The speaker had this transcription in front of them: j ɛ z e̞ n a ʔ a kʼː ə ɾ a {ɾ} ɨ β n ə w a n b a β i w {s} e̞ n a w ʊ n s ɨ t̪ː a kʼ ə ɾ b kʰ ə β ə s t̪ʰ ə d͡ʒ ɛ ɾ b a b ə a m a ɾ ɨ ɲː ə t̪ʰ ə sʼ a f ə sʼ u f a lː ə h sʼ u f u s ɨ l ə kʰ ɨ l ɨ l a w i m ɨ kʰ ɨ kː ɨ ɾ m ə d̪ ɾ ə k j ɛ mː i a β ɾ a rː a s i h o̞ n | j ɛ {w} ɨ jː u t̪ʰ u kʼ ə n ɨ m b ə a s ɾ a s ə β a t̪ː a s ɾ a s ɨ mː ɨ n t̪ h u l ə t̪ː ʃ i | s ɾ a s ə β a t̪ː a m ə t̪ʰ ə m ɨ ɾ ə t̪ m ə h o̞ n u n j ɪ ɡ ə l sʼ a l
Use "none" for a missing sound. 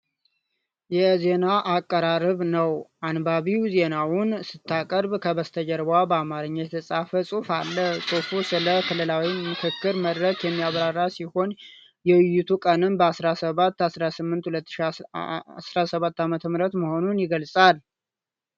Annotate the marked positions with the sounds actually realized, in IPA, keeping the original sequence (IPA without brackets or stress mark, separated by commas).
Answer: ɾ, z, w